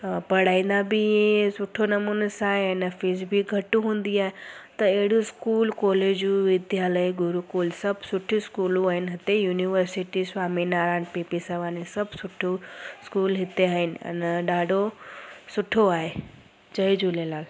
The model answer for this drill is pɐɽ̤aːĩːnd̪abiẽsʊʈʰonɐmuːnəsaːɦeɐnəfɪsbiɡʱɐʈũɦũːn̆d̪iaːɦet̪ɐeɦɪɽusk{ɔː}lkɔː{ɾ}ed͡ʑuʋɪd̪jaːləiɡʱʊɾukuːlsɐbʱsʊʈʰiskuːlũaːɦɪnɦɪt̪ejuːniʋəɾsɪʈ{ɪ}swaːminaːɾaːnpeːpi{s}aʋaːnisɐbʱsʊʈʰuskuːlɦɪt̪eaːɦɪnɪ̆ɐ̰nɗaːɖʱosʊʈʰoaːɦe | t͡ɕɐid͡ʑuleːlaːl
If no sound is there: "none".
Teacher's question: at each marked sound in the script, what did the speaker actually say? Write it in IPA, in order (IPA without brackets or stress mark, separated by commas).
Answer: uː, l, i, s